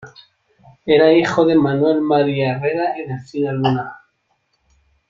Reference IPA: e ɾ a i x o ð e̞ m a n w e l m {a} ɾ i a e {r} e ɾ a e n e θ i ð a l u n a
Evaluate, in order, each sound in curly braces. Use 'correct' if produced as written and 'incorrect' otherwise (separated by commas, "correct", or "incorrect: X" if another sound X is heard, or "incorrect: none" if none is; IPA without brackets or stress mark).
correct, correct